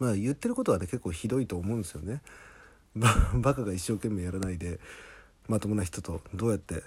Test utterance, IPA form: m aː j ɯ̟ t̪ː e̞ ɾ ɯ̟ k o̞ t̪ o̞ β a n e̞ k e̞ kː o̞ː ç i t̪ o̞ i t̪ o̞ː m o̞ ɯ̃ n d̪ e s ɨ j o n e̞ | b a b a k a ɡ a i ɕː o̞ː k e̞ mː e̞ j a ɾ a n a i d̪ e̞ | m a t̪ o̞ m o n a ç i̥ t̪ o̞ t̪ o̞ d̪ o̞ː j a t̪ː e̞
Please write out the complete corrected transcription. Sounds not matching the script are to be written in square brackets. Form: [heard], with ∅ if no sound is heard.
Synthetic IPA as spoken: m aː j ɯ̟ t̪ː e̞ ɾ ɯ̟ k o̞ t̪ o̞ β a n e̞ k e̞ kː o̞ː ç i [d̪] o̞ i t̪ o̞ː m o̞ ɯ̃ n d̪ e s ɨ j o n e̞ | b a b a k a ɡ a i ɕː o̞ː k e̞ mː e̞ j a ɾ a n a i d̪ e̞ | m a t̪ o̞ m o n a ç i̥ t̪ o̞ t̪ o̞ d̪ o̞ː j a t̪ː e̞